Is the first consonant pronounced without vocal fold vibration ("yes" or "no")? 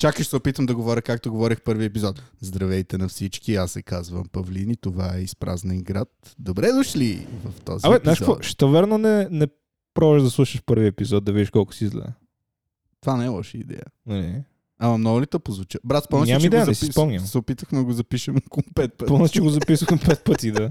yes